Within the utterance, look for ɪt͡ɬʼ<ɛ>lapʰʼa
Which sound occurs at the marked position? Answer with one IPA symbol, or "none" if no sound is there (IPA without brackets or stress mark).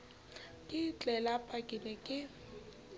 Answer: ɛ